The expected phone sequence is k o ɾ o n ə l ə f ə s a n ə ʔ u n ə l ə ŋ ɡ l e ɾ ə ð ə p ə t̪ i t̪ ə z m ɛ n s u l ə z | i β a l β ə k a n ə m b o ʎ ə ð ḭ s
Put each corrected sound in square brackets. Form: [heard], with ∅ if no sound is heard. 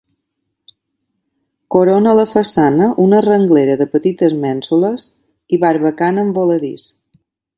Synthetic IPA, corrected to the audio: k o ɾ o n ə l ə f ə s a n ə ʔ u n ə [r] ə ŋ ɡ l e ɾ ə ð ə p ə t̪ i t̪ ə z m ɛ n s u l ə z | i β a [ɾ] β ə k a n ə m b o [l] ə ð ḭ s